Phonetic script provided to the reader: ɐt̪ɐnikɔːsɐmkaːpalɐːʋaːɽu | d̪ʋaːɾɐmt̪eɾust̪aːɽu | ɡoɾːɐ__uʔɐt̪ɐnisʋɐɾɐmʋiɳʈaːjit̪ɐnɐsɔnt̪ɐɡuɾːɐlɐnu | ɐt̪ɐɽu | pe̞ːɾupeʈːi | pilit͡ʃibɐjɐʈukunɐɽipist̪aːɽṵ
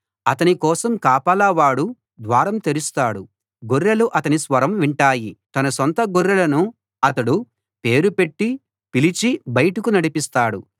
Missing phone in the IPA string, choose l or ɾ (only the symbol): l